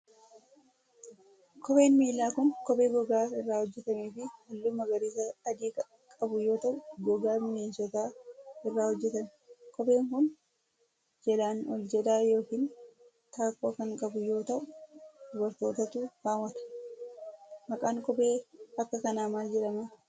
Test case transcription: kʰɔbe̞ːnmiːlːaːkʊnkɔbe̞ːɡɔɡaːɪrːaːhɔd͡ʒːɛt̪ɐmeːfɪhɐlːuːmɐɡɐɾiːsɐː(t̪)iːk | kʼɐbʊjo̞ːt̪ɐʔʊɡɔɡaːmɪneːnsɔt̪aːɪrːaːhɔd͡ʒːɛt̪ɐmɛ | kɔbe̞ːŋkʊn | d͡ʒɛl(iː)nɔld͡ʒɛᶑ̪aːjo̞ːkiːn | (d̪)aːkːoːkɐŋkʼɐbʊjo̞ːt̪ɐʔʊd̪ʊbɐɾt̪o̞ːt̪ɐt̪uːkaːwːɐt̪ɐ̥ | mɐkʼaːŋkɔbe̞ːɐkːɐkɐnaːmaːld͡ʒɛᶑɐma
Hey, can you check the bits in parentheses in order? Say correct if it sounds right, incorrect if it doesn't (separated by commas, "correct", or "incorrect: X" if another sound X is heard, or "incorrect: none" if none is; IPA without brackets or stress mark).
incorrect: d̪, incorrect: aː, incorrect: t̪